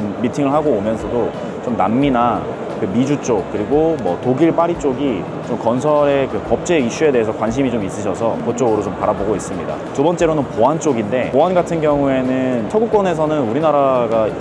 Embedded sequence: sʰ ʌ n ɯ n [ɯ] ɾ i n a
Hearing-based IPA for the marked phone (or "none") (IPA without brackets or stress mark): u